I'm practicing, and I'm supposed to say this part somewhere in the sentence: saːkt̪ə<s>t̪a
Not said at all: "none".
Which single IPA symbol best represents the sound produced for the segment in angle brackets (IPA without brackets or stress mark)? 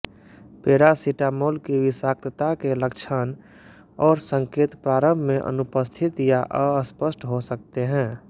none